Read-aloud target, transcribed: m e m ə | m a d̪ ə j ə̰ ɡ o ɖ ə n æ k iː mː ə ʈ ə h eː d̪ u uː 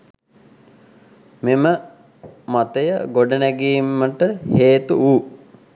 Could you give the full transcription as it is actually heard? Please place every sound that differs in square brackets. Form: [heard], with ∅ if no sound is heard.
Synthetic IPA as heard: m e m ə | m a [t̪] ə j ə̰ ɡ o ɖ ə n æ [ɡ] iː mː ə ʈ ə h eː [t̪] u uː

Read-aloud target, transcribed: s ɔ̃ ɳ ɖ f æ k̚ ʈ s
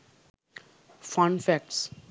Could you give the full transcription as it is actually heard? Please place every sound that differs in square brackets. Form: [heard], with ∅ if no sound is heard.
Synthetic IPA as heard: [f] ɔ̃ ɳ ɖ f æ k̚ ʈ s

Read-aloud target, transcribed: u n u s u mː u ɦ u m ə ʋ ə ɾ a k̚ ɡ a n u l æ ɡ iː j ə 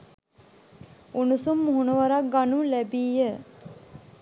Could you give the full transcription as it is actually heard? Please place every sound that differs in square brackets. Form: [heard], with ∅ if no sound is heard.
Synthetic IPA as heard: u n u s u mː u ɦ u [n] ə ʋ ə ɾ a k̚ ɡ a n u l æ [b] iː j ə

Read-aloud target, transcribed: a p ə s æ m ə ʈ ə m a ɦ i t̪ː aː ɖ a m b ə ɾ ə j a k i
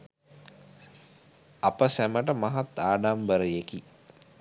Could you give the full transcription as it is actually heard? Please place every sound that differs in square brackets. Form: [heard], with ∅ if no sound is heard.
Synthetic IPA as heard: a p ə s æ m ə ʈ ə m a ɦ [a] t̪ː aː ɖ a m b ə ɾ ə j [e] k i

